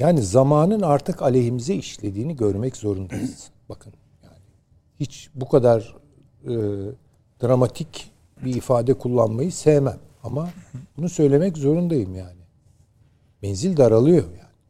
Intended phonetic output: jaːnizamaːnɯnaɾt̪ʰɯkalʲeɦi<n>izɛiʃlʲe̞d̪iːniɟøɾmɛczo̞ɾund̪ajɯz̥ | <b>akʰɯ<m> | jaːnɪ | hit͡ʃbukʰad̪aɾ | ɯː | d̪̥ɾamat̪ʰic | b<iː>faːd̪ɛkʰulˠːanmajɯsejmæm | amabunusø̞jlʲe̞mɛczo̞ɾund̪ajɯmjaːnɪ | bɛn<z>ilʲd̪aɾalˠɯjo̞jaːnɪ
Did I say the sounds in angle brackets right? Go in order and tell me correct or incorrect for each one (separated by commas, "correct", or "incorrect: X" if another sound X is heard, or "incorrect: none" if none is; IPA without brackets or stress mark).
incorrect: m, correct, incorrect: n, correct, correct